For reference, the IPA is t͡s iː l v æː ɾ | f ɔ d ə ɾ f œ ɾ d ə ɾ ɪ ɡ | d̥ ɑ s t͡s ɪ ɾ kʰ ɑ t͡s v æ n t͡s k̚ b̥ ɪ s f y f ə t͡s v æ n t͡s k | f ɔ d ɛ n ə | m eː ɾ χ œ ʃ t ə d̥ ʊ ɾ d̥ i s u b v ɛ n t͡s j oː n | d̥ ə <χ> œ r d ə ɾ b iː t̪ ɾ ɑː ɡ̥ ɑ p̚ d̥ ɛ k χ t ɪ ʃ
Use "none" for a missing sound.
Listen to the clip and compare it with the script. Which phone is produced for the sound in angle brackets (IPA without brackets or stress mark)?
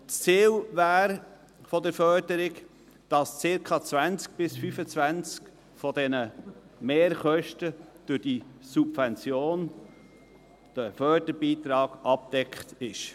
f